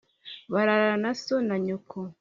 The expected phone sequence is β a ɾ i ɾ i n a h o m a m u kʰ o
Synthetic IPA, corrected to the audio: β a ɾ a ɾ a n a s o n a ɲ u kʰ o